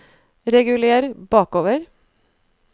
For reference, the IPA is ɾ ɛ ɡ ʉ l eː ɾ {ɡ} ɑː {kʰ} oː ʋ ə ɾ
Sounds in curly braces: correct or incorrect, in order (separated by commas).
incorrect, incorrect